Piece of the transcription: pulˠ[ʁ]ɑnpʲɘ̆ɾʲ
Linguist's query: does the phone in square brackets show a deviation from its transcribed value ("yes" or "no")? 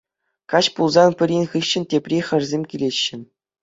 yes